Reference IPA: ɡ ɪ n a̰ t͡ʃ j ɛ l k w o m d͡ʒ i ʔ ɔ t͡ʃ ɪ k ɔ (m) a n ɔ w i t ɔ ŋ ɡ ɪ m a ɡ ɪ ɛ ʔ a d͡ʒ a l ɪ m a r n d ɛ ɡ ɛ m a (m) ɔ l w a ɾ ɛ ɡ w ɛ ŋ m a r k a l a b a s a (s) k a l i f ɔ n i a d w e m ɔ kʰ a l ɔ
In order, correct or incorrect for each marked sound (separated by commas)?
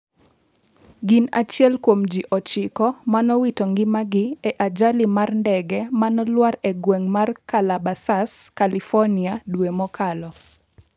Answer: correct, incorrect, correct